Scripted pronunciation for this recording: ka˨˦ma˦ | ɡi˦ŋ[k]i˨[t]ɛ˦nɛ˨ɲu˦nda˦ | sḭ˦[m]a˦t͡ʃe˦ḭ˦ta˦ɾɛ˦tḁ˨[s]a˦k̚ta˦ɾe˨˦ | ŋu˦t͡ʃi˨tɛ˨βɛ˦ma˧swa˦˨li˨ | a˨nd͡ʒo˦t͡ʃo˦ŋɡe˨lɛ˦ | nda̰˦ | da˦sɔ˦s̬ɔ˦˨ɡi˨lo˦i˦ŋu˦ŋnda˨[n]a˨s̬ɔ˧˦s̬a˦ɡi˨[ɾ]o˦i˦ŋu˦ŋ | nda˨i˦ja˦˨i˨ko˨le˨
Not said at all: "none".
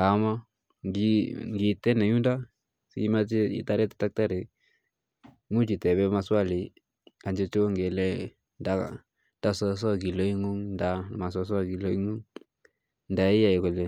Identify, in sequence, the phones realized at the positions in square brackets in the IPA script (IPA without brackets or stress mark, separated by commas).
ɡ, t, m, t, m, l